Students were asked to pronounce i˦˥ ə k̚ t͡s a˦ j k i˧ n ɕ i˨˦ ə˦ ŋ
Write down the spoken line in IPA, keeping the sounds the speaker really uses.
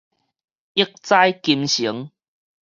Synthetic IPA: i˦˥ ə k̚ t͡s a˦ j k i˧ m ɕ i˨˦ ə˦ ŋ